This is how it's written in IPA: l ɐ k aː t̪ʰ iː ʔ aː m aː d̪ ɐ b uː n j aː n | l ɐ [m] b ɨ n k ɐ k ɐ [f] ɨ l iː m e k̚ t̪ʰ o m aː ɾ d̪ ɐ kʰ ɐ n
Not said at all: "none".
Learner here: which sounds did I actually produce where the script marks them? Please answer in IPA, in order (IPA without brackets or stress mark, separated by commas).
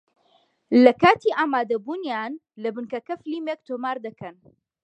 none, f